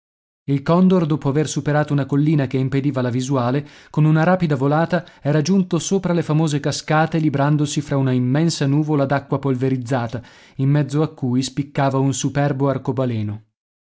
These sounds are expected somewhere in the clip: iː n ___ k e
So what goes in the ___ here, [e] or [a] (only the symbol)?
a